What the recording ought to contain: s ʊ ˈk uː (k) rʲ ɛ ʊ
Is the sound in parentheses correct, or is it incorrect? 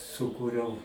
incorrect